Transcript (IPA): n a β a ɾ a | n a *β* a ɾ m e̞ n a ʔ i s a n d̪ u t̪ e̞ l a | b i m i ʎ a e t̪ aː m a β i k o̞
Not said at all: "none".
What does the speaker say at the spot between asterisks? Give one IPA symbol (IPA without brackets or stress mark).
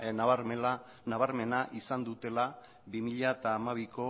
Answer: β